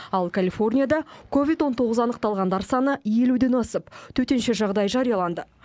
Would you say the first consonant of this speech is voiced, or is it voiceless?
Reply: voiced